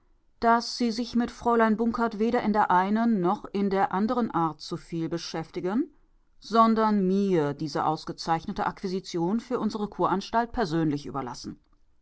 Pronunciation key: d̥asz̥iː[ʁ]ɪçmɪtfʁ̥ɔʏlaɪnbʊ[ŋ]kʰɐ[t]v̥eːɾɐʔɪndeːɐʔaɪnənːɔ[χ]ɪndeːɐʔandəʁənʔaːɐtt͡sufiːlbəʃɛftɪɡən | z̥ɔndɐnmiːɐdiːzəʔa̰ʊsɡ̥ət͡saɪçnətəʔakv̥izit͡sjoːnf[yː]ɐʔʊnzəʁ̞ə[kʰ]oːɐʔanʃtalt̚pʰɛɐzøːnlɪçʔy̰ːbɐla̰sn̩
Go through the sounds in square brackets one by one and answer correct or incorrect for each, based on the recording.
incorrect, correct, correct, correct, correct, correct

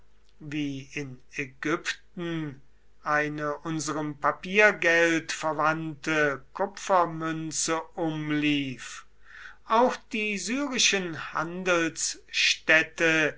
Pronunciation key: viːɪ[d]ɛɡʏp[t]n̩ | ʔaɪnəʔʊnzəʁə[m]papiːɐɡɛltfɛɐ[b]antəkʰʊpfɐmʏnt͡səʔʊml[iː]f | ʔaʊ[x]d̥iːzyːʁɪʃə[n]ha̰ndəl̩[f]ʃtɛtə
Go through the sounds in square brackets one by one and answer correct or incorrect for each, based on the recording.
incorrect, correct, correct, incorrect, correct, correct, correct, incorrect

